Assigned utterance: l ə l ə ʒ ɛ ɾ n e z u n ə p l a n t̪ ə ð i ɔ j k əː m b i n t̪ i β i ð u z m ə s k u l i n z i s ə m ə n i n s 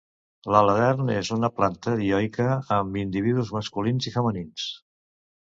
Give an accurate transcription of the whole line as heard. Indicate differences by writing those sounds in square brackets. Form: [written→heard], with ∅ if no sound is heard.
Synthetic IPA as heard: l ə l ə [ʒ→ð] ɛ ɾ n e z u n ə p l a n t̪ ə ð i ɔ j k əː m b i n [t̪→d̪] i β i ð u z m ə s k u l i n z i [s→f] ə m ə n i n s